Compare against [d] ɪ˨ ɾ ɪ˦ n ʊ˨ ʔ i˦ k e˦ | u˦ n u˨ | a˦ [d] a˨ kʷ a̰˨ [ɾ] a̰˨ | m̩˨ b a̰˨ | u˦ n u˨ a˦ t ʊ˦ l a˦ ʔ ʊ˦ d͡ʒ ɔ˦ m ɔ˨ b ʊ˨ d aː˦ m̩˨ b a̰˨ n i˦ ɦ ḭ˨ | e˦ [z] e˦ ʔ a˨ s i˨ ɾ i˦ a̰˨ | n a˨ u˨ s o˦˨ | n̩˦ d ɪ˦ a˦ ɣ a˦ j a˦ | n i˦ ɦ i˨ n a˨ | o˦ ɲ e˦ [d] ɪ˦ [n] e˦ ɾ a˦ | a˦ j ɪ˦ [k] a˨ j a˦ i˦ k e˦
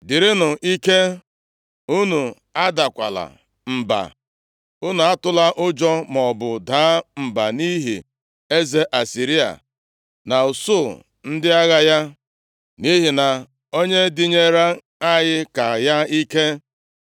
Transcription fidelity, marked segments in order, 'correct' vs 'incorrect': correct, correct, incorrect, correct, correct, incorrect, correct

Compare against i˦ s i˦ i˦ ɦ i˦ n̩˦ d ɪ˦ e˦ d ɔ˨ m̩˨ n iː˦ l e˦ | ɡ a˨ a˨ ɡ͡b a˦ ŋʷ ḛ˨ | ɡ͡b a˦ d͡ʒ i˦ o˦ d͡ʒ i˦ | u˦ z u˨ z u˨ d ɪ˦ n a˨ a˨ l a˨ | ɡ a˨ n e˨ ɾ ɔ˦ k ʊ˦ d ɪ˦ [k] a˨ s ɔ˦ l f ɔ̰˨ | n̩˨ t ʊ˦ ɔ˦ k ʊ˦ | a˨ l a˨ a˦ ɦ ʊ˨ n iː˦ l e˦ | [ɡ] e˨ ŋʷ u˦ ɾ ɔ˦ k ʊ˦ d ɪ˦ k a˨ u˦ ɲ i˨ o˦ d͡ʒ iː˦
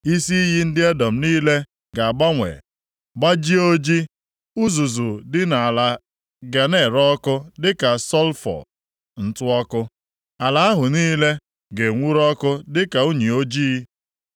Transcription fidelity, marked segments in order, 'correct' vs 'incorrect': correct, correct

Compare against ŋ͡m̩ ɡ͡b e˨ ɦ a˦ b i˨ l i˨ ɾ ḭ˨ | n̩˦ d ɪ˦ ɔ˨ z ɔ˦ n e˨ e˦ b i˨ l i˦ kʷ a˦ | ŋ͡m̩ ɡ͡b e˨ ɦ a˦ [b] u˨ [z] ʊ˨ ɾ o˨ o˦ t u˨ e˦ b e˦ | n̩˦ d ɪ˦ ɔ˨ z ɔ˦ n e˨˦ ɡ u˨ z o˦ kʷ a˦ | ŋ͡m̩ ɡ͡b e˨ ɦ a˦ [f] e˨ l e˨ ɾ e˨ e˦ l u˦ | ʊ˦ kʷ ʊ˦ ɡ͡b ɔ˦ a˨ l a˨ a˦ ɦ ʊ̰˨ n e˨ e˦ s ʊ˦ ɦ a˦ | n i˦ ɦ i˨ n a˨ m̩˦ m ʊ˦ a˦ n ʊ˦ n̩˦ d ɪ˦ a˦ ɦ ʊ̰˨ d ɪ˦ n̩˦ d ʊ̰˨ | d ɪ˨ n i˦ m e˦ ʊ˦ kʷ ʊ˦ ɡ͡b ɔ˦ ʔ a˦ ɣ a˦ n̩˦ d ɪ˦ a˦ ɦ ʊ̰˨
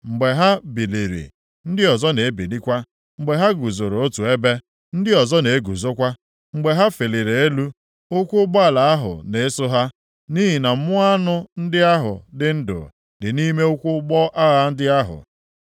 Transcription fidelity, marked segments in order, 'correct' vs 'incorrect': incorrect, correct, correct

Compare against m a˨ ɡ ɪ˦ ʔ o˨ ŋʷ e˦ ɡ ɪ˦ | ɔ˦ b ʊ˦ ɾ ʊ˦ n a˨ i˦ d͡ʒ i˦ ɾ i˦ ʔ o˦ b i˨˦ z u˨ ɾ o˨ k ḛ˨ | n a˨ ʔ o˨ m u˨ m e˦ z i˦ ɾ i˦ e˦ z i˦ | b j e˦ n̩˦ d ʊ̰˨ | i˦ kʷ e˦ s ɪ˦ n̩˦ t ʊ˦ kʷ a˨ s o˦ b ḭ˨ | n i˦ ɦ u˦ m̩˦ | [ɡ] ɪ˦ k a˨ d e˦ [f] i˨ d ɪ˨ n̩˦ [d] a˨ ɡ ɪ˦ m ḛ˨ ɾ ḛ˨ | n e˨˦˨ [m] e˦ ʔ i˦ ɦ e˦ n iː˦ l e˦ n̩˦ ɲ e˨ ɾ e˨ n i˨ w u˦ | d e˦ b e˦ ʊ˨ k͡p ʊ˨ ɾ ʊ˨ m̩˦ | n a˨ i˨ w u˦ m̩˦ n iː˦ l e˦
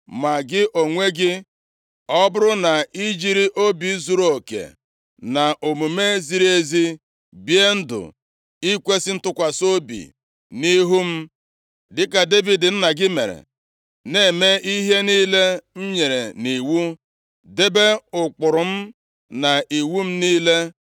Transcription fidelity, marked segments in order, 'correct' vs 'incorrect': incorrect, incorrect, incorrect, correct

